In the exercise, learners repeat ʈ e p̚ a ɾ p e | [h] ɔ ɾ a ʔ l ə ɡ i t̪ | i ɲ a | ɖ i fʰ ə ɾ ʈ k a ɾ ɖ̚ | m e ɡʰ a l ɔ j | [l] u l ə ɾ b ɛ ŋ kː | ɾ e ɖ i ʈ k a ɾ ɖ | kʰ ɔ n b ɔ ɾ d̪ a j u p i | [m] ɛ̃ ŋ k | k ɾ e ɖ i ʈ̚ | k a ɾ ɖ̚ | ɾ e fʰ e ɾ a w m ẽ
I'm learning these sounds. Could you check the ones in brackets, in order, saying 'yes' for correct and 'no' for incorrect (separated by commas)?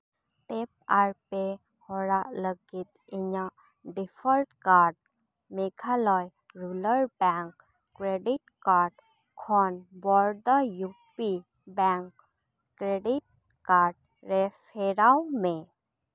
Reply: yes, no, no